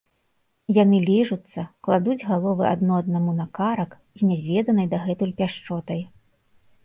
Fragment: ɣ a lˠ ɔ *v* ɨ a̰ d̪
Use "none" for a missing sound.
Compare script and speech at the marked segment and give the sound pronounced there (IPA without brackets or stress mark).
v